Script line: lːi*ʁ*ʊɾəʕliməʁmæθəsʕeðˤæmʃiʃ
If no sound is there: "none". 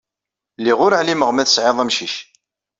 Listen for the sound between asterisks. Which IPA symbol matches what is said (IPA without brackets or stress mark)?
ʁ